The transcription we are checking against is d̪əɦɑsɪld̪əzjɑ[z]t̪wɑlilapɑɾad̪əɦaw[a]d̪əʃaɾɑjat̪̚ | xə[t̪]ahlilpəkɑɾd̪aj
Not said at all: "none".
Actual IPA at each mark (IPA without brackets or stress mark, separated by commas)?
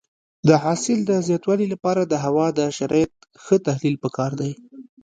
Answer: none, ɑ, t̪